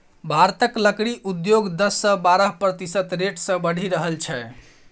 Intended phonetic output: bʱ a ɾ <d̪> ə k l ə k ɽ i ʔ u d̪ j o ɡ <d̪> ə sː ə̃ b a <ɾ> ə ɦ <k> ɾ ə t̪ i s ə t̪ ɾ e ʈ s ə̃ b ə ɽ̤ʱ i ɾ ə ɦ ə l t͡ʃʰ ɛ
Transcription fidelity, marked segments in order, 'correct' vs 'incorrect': incorrect, correct, correct, incorrect

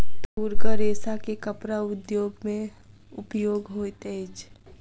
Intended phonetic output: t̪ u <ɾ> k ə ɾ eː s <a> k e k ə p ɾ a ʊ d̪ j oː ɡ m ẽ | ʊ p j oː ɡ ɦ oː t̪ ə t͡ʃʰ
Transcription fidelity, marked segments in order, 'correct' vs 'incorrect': correct, correct

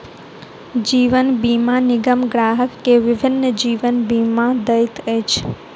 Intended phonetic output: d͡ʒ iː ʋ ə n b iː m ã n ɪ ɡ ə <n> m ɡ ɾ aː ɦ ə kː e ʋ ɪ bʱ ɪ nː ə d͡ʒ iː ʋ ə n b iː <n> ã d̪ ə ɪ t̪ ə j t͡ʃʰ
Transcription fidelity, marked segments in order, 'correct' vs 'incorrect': incorrect, incorrect

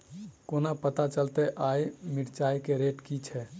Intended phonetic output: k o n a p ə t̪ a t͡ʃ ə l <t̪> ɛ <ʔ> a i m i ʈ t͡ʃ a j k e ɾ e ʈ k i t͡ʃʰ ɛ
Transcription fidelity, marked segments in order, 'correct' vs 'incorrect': correct, correct

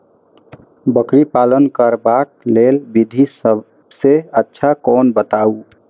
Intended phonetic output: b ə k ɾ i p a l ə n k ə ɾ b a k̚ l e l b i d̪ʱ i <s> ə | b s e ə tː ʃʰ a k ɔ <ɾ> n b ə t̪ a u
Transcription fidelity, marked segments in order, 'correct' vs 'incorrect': correct, incorrect

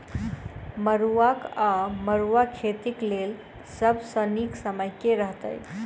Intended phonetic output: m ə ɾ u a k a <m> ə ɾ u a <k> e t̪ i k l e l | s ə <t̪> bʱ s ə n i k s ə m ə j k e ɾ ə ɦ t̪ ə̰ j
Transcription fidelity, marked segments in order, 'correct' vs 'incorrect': correct, incorrect, incorrect

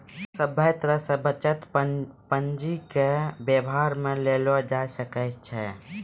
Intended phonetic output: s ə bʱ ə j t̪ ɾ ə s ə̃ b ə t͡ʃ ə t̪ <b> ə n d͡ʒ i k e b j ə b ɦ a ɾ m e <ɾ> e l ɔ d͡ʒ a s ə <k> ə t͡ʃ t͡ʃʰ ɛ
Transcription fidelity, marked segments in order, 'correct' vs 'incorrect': incorrect, incorrect, correct

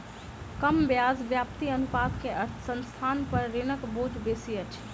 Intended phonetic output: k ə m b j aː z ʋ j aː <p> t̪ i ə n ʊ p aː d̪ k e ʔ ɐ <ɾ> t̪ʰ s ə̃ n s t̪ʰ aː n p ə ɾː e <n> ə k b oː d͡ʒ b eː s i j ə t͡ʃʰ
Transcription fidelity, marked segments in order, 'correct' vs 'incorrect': correct, correct, correct

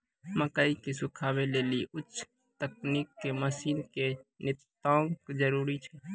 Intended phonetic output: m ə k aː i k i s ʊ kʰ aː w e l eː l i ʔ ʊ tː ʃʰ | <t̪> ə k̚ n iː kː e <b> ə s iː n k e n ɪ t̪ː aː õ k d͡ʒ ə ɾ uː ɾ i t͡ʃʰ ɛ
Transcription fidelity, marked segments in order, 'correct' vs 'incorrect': correct, incorrect

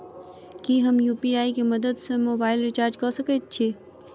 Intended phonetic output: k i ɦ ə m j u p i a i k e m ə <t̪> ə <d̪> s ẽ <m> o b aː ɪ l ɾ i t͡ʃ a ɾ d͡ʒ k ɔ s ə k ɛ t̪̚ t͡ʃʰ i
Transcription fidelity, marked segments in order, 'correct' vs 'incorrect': incorrect, correct, correct

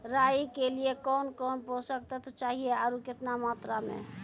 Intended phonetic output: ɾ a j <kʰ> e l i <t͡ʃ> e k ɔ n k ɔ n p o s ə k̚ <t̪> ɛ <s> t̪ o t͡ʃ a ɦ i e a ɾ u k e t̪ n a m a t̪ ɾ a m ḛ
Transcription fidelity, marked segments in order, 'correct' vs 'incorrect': incorrect, incorrect, correct, incorrect

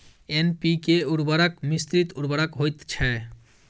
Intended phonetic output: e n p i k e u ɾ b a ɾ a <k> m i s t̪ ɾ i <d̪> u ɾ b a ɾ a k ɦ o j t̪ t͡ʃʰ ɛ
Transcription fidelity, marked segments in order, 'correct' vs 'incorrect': correct, incorrect

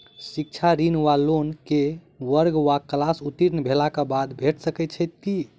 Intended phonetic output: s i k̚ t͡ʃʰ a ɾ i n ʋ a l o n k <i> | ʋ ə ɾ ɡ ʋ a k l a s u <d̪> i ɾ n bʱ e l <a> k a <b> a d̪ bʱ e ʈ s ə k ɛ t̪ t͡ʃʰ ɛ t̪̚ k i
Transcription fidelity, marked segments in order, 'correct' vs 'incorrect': incorrect, incorrect, correct, correct

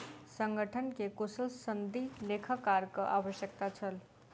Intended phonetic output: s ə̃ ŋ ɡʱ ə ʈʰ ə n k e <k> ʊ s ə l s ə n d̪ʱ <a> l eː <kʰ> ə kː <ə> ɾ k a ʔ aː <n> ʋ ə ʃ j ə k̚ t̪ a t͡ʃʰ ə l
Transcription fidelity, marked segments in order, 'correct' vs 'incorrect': correct, incorrect, correct, incorrect, incorrect

